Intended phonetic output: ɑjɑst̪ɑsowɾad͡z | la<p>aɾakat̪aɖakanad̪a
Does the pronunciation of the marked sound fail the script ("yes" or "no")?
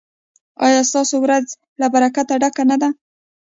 yes